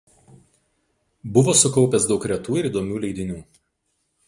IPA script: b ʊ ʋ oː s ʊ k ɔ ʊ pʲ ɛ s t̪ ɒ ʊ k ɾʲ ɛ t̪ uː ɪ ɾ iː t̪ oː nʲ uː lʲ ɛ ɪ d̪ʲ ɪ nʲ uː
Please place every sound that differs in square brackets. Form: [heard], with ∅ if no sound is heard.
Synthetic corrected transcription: b ʊ ʋ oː s ʊ k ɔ ʊ pʲ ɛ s [d̪] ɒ ʊ k ɾʲ ɛ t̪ uː ɪ ɾ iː [d̪] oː [mʲ] uː lʲ ɛ ɪ d̪ʲ ɪ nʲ uː